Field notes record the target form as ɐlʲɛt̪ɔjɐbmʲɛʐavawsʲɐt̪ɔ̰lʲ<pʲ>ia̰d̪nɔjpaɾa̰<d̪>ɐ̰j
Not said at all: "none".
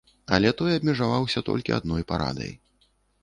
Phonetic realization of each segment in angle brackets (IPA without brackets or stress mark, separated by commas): kʲ, d̪